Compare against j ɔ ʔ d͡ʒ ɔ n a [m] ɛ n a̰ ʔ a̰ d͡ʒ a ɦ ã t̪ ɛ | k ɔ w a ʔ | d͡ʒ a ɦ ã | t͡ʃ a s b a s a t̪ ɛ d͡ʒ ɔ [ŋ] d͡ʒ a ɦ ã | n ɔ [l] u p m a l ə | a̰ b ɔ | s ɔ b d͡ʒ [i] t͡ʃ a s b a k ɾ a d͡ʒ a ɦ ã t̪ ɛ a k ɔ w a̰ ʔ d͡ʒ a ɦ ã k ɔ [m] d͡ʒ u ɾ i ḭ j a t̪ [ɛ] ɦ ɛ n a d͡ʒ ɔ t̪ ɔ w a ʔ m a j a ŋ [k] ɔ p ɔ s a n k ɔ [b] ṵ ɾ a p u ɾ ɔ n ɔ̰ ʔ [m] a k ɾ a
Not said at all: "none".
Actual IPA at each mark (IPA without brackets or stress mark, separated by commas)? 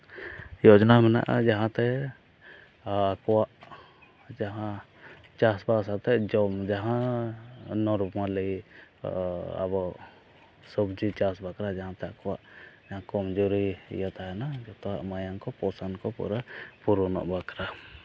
m, m, ɾ, i, m, a, k, p, b